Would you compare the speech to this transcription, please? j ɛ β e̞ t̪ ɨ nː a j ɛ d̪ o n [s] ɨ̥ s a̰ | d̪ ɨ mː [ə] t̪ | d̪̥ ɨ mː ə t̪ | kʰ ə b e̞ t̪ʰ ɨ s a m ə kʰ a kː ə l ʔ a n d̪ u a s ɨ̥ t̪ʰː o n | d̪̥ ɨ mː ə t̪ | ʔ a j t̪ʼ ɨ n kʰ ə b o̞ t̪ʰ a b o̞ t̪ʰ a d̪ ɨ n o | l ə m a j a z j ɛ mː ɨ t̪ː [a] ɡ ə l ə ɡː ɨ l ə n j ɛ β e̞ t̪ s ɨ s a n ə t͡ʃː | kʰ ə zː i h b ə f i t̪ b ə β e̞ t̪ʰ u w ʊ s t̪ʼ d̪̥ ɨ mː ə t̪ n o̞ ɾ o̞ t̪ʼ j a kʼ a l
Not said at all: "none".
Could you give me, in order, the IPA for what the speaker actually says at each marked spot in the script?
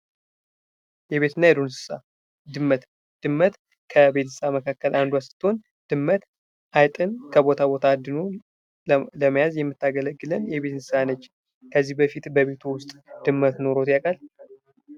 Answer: s, ə, a

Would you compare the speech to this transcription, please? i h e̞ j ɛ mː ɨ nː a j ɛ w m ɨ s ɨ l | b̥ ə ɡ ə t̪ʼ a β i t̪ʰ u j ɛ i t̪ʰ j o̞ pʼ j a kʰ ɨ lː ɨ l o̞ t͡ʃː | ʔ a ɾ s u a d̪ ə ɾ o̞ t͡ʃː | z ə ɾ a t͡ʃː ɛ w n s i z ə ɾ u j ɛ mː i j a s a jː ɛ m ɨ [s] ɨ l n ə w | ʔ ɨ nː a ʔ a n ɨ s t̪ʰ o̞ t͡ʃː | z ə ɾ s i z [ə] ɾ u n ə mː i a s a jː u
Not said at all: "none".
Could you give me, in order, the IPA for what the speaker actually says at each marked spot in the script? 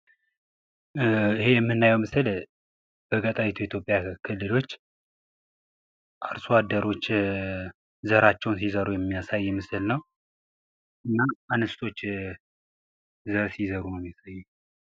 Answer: s, ə

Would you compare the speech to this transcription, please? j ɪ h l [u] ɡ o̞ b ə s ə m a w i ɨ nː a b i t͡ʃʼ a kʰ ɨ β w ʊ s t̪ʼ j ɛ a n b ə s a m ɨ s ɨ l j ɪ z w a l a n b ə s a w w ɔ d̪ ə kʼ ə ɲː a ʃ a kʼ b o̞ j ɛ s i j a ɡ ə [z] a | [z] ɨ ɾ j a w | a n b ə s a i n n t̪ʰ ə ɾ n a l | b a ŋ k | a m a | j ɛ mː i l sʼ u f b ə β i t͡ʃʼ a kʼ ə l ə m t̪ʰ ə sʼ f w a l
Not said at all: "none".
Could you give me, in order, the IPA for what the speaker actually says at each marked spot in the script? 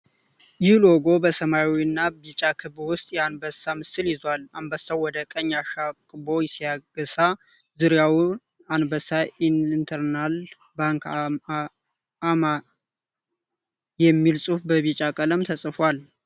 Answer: o, s, z

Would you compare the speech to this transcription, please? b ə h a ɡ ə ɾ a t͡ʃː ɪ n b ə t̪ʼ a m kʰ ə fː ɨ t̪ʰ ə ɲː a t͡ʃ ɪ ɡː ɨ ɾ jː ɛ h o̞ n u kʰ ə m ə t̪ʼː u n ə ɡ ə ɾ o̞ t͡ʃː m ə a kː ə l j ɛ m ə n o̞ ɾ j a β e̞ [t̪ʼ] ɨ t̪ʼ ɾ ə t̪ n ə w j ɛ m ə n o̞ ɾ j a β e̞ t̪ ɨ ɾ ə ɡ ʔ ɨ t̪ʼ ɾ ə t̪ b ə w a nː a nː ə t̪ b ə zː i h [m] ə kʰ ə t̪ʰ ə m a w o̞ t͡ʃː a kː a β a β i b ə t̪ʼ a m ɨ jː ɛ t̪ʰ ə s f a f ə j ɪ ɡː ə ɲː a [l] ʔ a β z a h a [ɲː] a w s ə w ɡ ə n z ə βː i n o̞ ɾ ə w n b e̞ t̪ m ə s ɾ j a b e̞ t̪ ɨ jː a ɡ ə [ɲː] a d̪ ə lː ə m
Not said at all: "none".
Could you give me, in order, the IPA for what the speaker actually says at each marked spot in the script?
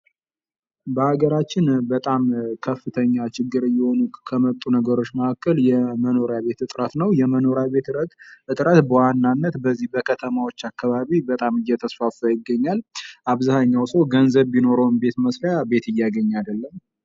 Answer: t̪, b, l, ɲː, ɲː

